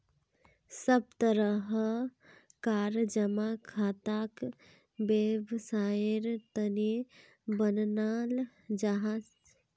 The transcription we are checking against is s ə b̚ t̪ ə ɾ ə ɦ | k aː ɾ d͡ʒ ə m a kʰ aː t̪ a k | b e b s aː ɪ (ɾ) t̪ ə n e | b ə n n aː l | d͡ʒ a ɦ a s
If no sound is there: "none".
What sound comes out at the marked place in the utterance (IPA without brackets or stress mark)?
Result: ɾ